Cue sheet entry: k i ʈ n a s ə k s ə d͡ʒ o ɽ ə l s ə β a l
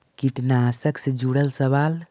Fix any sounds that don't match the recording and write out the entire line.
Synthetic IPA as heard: k i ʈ n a s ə k s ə d͡ʒ u ɽ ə l s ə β a l